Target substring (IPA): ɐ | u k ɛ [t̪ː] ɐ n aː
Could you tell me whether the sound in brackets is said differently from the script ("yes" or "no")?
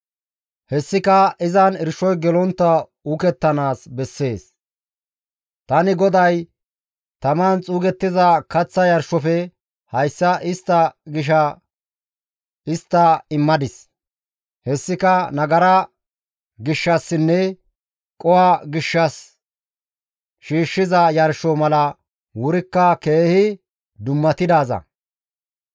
no